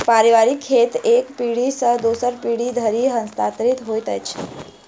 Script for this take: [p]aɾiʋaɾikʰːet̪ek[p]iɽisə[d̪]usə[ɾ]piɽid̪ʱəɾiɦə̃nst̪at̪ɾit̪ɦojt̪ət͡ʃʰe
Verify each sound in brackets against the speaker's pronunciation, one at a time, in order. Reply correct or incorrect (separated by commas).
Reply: correct, correct, correct, correct